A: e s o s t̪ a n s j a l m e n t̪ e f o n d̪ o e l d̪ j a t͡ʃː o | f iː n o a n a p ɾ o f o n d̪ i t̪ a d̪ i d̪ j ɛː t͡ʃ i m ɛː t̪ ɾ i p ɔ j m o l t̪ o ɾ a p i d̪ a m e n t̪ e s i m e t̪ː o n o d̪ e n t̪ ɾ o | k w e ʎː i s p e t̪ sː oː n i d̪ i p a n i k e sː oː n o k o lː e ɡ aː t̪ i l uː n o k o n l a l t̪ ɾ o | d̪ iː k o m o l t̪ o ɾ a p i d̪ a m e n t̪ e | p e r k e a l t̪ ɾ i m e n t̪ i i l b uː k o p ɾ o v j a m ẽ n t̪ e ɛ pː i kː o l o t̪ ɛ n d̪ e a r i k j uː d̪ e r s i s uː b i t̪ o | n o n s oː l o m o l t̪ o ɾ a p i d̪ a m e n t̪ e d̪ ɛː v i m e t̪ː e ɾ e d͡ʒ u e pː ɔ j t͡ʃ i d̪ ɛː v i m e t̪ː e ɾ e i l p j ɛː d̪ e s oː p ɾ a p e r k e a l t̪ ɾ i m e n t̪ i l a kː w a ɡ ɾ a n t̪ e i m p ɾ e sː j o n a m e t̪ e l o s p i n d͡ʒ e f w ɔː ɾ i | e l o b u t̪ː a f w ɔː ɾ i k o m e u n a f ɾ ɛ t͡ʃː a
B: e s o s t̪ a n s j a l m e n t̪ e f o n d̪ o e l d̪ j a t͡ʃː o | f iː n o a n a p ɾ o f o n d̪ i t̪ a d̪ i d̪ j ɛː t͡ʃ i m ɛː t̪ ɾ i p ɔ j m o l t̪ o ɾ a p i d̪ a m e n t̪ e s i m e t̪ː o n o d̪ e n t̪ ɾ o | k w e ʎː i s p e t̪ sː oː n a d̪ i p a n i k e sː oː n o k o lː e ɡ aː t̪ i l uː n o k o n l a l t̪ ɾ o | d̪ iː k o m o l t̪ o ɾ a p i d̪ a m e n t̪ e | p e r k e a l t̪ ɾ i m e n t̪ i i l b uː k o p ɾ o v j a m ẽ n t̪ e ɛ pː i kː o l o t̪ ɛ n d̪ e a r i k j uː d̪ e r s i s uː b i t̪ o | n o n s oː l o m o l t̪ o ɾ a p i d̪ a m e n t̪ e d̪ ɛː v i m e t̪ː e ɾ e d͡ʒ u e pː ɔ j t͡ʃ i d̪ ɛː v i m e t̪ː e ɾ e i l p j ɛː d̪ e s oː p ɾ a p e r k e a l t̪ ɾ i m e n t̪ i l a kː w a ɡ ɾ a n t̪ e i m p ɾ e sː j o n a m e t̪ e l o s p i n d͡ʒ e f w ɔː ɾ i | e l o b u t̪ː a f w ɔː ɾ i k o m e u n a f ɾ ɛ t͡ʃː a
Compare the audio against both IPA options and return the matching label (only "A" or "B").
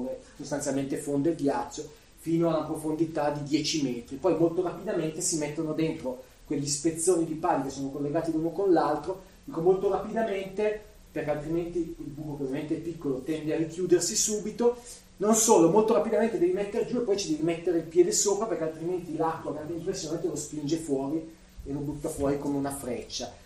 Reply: A